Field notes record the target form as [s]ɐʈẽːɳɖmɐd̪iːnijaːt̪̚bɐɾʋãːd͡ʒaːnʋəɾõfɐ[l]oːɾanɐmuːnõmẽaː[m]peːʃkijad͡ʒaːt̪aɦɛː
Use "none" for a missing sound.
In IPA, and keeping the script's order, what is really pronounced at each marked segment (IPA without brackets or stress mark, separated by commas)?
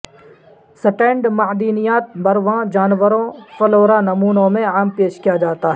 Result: s, l, m